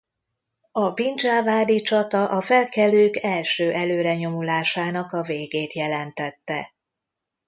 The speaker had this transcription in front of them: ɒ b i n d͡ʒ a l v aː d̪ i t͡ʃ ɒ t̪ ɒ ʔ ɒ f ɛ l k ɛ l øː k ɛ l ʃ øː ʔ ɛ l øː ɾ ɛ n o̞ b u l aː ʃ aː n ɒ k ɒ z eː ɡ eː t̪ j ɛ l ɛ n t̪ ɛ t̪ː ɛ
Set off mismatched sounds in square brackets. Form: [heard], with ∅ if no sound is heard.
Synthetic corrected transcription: ɒ b i n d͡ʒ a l v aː d̪ i t͡ʃ ɒ t̪ ɒ ʔ ɒ f ɛ l k ɛ l øː k ɛ l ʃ øː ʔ ɛ l øː ɾ ɛ [ɲ] o̞ [m] u l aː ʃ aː n ɒ k ɒ [v] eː ɡ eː t̪ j ɛ l ɛ n t̪ ɛ t̪ː ɛ

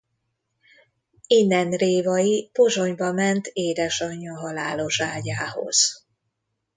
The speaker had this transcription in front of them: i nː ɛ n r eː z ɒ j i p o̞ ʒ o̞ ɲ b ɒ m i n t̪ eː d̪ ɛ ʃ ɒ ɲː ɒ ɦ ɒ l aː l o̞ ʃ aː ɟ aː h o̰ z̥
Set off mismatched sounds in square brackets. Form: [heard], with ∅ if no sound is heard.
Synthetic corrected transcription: i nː ɛ n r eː [v] ɒ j i p o̞ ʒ o̞ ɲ b ɒ m [ɛ] n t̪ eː d̪ ɛ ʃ ɒ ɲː ɒ ɦ ɒ l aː l o̞ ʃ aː ɟ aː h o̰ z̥

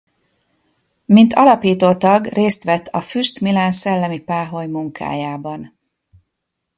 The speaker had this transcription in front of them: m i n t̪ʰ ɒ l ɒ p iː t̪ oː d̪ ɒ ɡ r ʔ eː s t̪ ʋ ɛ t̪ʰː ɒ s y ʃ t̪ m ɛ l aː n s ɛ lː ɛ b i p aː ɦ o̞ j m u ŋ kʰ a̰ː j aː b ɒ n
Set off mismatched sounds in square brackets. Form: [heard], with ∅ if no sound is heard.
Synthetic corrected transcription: m i n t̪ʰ ɒ l ɒ p iː t̪ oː [t̪] ɒ ɡ r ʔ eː s t̪ ʋ ɛ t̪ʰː ɒ [f] y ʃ t̪ m [i] l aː n s ɛ lː ɛ [m] i p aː ɦ o̞ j m u ŋ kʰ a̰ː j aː b ɒ n

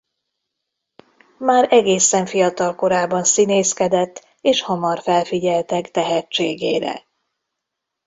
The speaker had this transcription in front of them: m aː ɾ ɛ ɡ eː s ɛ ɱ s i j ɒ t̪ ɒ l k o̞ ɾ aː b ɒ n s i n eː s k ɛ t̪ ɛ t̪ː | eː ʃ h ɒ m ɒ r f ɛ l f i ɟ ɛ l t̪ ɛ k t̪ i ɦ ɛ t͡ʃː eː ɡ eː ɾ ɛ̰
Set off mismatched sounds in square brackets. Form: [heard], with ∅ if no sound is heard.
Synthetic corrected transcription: m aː ɾ ɛ ɡ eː s ɛ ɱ [f] i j ɒ t̪ ɒ l k o̞ ɾ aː b ɒ n s i n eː s k ɛ [d̪] ɛ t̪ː | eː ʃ h ɒ m ɒ r f ɛ l f i ɟ ɛ l t̪ ɛ k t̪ [ɛ] ɦ ɛ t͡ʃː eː ɡ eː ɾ ɛ̰

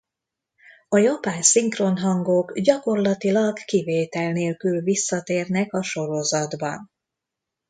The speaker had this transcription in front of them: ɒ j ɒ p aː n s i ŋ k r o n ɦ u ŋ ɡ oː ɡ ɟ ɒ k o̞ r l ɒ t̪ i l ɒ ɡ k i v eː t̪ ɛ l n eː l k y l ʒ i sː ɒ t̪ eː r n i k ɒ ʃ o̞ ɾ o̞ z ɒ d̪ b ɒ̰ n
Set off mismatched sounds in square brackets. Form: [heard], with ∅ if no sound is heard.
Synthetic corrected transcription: ɒ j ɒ p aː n s i ŋ k r o n ɦ [ɒ] ŋ ɡ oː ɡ ɟ ɒ k o̞ r l ɒ t̪ i l ɒ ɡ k i v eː t̪ ɛ l n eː l k y l [v] i sː ɒ t̪ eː r n [ɛ] k ɒ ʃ o̞ ɾ o̞ z ɒ d̪ b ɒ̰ n

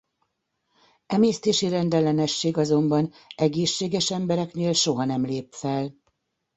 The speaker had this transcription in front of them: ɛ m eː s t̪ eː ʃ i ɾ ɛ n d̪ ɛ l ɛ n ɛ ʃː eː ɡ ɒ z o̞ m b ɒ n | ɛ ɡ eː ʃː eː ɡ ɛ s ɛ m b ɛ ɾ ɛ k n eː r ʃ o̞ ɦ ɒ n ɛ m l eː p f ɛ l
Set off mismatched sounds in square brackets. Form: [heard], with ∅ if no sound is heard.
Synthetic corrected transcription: ɛ m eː s t̪ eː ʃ i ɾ ɛ n d̪ ɛ l ɛ n ɛ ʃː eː ɡ ɒ z o̞ m b ɒ n | ɛ ɡ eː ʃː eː ɡ ɛ [ʃ] ɛ m b ɛ ɾ ɛ k n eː [l] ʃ o̞ ɦ ɒ n ɛ m l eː p f ɛ l

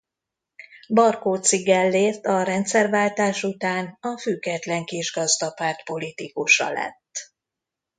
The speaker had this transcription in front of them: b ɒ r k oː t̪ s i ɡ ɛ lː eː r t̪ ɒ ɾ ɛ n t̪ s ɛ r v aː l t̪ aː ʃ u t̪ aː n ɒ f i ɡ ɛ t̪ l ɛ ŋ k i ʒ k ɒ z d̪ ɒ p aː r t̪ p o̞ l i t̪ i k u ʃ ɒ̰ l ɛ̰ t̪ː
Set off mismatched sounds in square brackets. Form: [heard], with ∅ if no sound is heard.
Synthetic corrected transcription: b ɒ r k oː t̪ s i ɡ ɛ lː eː r t̪ ɒ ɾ ɛ n t̪ s ɛ r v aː l t̪ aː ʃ u t̪ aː n ɒ f [y] ɡ ɛ t̪ l ɛ ŋ k i ʒ [ɡ] ɒ z d̪ ɒ p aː r t̪ p o̞ l i t̪ i k u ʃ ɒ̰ l ɛ̰ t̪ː

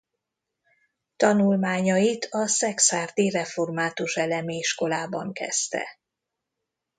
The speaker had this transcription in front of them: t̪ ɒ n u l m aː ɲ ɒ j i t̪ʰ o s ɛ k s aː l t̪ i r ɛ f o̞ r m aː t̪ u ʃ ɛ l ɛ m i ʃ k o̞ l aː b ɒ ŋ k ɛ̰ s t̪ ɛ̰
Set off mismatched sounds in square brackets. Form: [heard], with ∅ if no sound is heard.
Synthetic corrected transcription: t̪ ɒ n u l m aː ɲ ɒ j i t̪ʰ [ɒ] s ɛ k s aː [r] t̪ i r ɛ f o̞ r m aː t̪ u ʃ ɛ l ɛ m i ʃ k o̞ l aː b ɒ ŋ k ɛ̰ s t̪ ɛ̰

